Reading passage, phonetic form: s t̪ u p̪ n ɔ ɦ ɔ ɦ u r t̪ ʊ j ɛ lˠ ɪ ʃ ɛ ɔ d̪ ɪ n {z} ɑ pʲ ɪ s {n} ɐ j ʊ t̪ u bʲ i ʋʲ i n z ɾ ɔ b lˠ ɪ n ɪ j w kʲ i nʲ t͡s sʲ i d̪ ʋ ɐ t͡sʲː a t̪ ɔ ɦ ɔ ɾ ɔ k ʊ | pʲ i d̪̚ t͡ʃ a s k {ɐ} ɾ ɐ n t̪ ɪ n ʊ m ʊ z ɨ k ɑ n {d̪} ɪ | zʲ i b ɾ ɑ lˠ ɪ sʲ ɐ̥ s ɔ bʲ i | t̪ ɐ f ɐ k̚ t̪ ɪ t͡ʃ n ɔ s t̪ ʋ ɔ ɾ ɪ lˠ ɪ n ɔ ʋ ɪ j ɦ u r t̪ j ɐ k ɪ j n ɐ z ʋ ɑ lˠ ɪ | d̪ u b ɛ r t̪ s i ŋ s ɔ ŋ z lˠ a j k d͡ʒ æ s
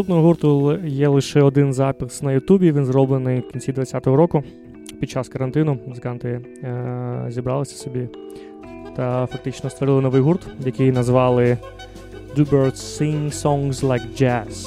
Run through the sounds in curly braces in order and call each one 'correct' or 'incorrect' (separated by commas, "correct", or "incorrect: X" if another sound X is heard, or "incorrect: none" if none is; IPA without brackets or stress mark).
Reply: correct, correct, correct, incorrect: t̪